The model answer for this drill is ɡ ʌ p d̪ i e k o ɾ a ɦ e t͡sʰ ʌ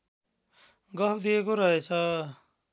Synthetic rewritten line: ɡ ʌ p d̪ i e k o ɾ ʌ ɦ e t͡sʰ ʌ